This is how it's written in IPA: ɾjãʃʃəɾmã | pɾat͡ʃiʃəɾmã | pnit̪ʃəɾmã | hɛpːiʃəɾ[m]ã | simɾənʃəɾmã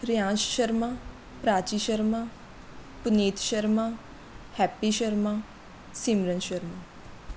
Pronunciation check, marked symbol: correct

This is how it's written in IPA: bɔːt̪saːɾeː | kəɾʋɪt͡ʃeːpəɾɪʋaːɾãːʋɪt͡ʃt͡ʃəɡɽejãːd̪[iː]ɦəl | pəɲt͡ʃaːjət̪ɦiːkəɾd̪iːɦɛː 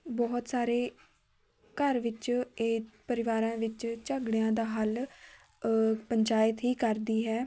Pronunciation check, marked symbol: incorrect: aː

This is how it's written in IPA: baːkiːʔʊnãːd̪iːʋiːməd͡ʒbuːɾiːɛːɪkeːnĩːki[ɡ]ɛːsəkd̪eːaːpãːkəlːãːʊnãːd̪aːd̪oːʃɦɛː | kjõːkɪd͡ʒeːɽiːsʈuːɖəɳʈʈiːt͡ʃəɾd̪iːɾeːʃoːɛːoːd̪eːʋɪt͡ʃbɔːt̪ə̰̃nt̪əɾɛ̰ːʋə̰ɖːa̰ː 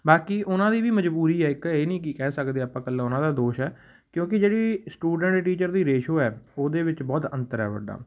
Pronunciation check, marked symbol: incorrect: k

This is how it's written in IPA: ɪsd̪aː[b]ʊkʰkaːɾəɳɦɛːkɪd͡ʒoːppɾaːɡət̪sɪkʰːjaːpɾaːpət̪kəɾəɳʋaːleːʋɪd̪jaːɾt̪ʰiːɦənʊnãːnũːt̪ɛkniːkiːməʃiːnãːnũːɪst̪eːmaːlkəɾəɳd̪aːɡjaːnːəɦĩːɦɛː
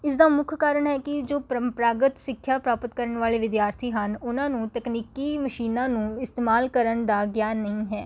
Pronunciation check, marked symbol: incorrect: m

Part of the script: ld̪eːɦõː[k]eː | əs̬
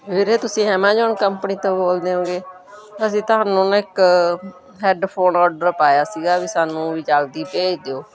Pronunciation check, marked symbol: incorrect: ɡ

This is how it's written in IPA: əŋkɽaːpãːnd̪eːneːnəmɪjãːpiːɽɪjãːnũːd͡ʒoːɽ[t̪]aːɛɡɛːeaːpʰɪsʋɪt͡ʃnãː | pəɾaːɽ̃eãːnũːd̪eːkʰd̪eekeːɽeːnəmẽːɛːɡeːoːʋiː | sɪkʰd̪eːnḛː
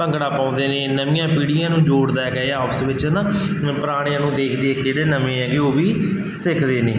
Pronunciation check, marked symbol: incorrect: d̪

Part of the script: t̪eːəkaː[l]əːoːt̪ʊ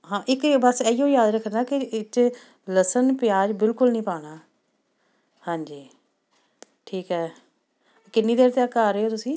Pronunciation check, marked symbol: incorrect: ɾ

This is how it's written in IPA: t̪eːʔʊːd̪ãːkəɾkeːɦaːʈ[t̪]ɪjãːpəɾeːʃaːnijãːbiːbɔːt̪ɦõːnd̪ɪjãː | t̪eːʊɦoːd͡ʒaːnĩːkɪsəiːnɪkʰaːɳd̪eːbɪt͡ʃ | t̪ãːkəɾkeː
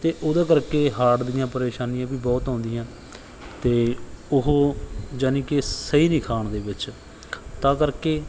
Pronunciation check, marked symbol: incorrect: d̪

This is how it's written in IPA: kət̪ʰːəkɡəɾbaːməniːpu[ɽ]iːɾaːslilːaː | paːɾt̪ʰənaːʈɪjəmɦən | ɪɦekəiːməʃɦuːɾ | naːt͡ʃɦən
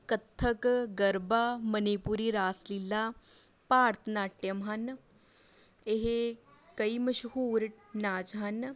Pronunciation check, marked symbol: incorrect: ɾ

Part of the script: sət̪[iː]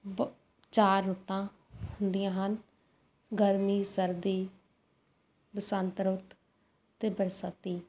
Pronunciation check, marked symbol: correct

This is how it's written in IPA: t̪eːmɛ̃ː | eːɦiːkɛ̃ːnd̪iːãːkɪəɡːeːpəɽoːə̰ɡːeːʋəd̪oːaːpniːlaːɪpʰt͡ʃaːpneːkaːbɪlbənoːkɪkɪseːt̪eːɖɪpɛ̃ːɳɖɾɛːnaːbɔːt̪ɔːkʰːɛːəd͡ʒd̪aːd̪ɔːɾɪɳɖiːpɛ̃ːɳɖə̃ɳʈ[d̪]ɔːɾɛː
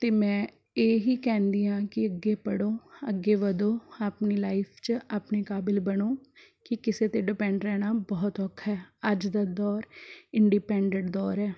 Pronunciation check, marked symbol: correct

